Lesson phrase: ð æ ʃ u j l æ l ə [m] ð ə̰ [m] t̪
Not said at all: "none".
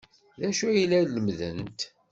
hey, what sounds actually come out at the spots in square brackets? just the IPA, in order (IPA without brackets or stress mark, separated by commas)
m, n